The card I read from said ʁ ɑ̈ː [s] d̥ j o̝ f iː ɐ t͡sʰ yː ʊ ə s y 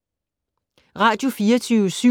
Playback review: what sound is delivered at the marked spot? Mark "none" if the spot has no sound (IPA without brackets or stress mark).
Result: none